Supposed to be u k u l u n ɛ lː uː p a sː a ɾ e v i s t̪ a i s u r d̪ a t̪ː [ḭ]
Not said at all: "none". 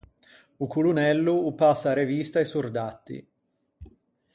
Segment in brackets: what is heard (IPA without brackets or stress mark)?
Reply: ḭ